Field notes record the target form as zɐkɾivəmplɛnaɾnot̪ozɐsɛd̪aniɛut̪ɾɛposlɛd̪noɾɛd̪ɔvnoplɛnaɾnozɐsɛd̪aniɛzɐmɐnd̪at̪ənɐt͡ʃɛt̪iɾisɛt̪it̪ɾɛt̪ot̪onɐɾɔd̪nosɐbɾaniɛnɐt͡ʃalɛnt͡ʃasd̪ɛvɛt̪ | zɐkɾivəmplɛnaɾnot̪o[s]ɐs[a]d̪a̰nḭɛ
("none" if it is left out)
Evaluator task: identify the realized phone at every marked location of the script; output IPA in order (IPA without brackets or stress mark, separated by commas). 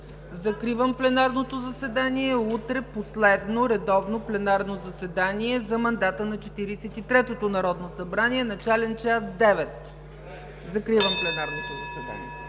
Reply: z, ɛ